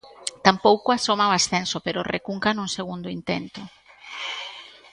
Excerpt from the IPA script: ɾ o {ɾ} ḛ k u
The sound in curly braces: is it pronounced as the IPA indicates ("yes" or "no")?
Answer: no